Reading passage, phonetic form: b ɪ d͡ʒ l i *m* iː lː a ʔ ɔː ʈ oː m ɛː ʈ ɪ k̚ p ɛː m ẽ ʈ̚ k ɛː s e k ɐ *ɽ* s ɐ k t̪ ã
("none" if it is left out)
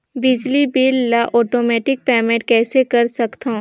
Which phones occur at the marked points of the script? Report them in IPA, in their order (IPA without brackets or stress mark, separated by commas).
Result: b, ɾ